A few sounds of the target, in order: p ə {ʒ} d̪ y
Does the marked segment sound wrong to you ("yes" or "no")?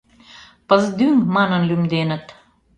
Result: yes